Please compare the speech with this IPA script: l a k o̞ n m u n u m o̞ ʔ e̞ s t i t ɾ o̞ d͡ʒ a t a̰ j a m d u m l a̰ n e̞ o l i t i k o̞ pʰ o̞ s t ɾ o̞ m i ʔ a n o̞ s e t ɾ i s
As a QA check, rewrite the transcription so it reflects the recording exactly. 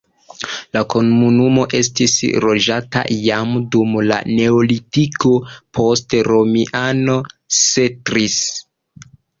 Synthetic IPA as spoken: l a k o̞ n m u n u m o̞ ʔ e̞ s t i s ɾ o̞ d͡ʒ a t a̰ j a m d u m l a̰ n e̞ o l i t i k o̞ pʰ o̞ s t ɾ o̞ m i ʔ a n o̞ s e t ɾ i s